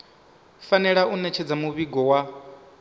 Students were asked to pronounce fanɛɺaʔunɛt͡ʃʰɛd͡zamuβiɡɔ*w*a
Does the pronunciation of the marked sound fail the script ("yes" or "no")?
no